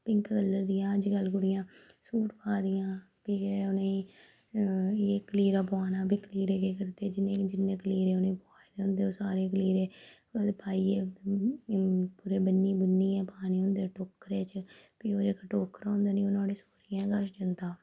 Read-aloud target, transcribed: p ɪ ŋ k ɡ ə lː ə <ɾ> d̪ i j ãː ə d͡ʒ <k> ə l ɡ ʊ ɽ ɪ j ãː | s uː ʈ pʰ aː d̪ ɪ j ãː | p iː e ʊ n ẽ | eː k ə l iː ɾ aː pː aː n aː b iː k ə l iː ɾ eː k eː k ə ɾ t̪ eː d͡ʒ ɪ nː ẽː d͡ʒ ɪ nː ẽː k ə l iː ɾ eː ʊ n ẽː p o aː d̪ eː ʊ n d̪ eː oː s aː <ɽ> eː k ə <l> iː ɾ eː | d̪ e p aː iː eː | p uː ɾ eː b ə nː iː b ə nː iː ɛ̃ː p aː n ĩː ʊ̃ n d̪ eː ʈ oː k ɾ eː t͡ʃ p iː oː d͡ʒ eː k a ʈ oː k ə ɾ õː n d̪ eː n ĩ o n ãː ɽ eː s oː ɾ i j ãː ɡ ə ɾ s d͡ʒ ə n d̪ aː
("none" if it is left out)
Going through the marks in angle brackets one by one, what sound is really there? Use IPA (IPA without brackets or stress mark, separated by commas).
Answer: ɾ, ɡ, ɾ, l